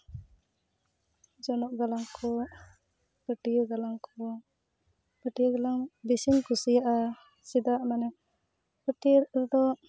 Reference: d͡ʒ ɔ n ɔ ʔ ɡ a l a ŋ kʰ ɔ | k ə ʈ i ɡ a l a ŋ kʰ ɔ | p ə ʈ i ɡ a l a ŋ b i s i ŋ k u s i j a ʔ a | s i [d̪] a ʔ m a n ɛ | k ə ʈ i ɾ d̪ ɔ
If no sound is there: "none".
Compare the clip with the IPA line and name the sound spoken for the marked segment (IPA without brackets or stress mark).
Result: d̪